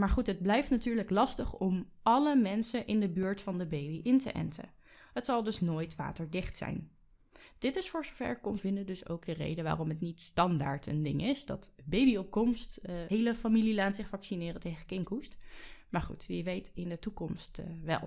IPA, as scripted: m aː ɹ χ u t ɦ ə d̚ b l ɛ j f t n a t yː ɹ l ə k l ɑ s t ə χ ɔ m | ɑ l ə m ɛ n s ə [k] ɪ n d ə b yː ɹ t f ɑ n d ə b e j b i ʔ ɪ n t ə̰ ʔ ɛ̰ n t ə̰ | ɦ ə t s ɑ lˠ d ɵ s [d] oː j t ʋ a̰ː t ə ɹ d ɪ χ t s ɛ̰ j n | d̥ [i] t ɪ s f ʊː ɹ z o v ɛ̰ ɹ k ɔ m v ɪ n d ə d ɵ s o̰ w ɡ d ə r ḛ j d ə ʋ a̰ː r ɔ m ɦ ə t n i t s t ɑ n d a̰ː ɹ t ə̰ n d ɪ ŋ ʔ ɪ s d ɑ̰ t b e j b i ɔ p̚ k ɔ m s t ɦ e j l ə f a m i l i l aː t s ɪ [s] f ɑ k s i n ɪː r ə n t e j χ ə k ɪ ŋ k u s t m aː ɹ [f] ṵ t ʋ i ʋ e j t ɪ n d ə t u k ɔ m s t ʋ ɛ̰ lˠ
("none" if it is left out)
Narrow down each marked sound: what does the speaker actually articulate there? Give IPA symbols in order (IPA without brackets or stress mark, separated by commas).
ʔ, n, ɪ, χ, χ